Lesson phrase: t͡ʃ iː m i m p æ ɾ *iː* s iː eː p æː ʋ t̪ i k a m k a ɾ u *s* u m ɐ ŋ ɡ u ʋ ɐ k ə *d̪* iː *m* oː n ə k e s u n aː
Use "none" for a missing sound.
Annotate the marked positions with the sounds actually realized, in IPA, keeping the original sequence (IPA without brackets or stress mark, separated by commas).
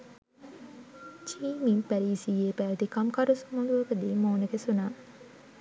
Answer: iː, s, d̪, m